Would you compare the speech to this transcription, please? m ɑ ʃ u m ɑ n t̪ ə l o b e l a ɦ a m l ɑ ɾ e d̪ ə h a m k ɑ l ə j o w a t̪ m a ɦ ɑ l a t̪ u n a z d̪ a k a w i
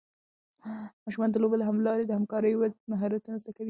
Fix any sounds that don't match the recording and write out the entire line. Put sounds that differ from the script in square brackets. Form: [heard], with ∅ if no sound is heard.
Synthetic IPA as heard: m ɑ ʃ u m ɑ n [d̪] ə l o b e l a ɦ a m l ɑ ɾ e d̪ ə h a m k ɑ [ɾ] ə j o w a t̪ m a ɦ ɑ [ɾ] a t̪ u n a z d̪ a k a w i